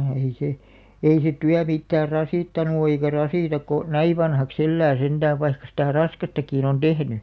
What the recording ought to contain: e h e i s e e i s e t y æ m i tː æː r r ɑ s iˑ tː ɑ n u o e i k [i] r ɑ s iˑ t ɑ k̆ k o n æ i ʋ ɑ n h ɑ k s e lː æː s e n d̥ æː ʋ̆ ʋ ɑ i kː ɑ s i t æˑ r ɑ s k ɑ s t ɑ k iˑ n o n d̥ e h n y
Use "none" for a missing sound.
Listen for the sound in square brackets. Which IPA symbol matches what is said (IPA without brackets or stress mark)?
æ